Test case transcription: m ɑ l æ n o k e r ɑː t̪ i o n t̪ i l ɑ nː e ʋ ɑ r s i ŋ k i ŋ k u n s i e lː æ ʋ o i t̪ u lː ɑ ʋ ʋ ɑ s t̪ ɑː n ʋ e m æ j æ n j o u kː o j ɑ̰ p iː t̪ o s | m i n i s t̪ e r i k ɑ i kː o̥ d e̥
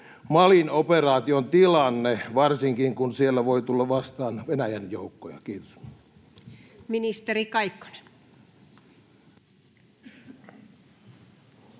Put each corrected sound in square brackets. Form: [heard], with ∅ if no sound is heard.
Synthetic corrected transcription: m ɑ l [i] n o [p] e r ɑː t̪ i o n t̪ i l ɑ nː e ʋ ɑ r s i ŋ k i ŋ k u n s i e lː æ ʋ o i t̪ u lː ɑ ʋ ʋ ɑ s t̪ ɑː n ʋ e [n] æ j æ n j o u kː o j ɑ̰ [k] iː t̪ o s | m i n i s t̪ e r i k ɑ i kː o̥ [n] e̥